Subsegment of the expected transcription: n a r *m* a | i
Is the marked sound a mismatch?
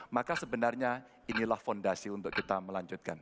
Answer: yes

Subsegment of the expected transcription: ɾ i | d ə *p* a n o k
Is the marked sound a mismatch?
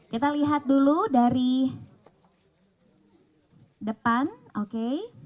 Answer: no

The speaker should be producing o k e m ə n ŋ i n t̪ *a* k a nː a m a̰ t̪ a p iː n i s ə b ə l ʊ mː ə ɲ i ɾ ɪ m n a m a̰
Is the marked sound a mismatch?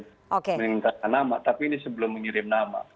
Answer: no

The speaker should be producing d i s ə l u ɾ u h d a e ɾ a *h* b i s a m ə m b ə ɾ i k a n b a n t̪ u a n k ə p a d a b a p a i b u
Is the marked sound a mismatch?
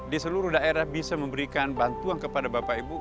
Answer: no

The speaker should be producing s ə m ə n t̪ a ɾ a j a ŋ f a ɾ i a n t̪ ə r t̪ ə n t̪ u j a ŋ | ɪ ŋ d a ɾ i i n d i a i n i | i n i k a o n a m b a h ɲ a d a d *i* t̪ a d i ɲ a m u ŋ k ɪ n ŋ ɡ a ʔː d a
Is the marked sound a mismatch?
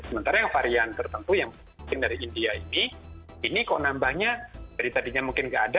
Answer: no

